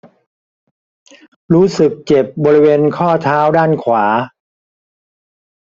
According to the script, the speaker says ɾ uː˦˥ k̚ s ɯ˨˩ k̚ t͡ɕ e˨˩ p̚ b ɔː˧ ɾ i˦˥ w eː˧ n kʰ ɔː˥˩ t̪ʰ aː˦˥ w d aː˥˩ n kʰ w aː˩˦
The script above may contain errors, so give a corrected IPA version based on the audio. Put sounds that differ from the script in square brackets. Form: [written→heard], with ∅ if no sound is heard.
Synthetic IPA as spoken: ɾ uː˦˥ [k̚→∅] s ɯ˨˩ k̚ t͡ɕ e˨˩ p̚ b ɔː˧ ɾ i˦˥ w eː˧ n kʰ ɔː˥˩ t̪ʰ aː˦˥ w d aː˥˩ n kʰ w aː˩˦